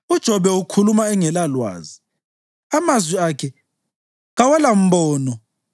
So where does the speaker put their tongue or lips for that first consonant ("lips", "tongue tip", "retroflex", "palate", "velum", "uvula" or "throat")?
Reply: tongue tip